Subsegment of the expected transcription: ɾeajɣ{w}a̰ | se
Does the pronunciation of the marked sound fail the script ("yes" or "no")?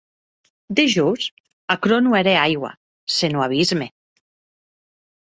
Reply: no